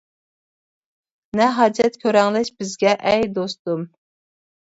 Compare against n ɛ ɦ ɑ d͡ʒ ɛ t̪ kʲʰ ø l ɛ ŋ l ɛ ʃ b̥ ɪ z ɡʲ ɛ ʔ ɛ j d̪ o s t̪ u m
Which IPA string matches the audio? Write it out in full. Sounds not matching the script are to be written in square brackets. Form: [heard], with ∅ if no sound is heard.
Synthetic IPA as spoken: n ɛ ɦ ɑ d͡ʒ ɛ t̪ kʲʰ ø [ɾ] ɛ ŋ l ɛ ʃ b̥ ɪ z ɡʲ ɛ ʔ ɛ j d̪ o s t̪ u m